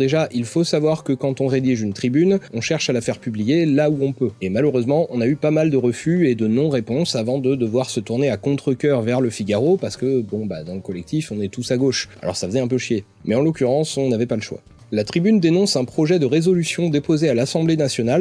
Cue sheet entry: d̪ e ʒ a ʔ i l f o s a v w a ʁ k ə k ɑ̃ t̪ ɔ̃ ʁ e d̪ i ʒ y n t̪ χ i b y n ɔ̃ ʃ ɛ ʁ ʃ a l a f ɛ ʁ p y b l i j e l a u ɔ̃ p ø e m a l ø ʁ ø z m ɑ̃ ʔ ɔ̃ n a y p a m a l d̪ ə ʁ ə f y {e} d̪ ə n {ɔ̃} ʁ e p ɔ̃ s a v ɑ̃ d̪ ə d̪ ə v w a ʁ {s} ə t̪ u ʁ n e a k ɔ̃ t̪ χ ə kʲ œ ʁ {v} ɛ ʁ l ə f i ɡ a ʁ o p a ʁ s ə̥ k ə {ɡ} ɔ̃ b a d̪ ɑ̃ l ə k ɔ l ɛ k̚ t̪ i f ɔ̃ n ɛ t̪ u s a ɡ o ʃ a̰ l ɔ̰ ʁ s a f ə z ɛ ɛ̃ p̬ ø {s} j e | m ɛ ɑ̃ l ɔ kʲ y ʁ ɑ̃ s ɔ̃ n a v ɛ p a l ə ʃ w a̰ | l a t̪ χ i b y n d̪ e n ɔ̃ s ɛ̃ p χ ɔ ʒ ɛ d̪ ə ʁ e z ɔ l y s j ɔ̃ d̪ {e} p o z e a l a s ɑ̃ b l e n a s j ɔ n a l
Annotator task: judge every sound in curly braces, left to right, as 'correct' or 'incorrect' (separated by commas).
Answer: correct, correct, correct, correct, incorrect, incorrect, correct